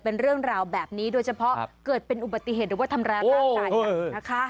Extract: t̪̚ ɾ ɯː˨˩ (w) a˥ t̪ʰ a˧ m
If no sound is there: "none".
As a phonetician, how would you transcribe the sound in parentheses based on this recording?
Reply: w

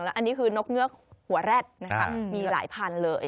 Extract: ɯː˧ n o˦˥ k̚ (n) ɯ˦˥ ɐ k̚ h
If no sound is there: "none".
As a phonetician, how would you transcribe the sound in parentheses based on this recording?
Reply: ŋ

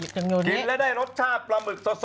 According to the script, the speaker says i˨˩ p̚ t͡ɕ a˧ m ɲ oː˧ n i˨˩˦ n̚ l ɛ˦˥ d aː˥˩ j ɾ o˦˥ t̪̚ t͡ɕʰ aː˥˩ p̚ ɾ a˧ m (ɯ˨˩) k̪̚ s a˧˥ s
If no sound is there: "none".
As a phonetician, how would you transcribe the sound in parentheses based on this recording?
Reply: ɯ˨˩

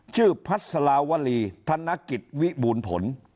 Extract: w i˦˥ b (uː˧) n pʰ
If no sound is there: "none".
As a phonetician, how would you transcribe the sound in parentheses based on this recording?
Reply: uː˧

